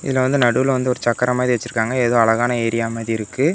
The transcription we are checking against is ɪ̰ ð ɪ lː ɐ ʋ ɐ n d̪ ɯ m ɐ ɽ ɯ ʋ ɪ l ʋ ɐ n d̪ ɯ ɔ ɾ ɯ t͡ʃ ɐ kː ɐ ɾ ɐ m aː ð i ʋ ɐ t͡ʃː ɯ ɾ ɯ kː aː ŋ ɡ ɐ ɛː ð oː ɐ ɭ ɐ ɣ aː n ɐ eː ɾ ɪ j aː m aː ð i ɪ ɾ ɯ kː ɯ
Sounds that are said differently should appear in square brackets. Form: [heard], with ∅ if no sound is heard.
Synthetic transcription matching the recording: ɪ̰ ð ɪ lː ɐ ʋ ɐ n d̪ ɯ [n] ɐ ɽ ɯ ʋ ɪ l ʋ ɐ n d̪ ɯ ɔ ɾ ɯ t͡ʃ ɐ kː ɐ ɾ ɐ m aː ð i ʋ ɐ t͡ʃː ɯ ɾ ɯ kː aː ŋ ɡ ɐ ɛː ð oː ɐ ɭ ɐ ɣ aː n ɐ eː ɾ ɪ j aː m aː ð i ɪ ɾ ɯ kː ɯ